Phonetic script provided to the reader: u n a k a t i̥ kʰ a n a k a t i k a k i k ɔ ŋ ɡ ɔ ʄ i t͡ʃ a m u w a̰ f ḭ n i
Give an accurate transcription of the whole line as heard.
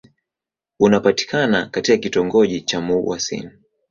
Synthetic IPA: u n a p a t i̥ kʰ a n a k a t i k a k i t ɔ ŋ ɡ ɔ ʄ i t͡ʃ a m u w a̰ s ḭ n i